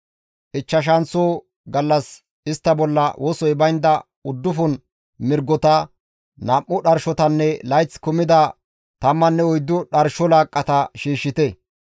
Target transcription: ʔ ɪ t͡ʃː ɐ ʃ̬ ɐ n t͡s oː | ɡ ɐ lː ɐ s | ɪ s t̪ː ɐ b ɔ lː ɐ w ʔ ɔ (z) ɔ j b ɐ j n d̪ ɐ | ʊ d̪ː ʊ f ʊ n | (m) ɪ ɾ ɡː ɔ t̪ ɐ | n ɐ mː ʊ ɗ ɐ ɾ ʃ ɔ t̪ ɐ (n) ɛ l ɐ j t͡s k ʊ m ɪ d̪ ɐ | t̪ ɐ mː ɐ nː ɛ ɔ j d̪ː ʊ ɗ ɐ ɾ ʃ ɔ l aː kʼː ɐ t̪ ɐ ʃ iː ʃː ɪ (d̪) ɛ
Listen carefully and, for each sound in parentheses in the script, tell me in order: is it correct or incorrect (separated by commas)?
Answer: incorrect, correct, incorrect, incorrect